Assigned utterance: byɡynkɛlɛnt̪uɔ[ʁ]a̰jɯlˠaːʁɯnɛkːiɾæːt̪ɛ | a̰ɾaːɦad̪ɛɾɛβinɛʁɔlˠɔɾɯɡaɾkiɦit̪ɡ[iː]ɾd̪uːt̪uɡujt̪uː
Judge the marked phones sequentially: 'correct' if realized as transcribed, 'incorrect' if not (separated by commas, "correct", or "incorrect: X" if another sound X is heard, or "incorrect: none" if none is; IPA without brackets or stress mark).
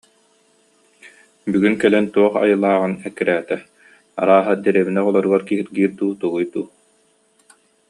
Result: incorrect: χ, correct